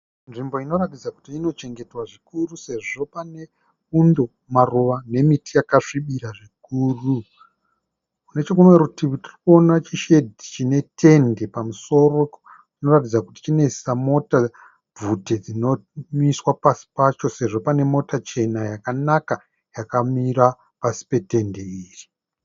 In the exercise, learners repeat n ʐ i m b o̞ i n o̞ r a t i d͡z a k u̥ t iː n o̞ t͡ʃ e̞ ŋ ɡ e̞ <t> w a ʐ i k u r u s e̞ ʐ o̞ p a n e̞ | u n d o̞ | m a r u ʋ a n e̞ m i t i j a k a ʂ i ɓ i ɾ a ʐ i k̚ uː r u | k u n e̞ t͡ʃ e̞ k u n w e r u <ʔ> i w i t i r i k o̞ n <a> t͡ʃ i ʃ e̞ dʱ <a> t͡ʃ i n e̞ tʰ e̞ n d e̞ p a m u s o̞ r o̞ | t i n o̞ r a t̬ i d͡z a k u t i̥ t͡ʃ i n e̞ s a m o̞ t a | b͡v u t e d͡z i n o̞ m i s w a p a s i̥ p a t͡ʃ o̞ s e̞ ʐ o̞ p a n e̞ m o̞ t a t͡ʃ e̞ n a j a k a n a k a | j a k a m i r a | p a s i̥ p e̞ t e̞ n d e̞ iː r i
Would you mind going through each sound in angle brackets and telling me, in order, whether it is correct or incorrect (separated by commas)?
correct, incorrect, correct, incorrect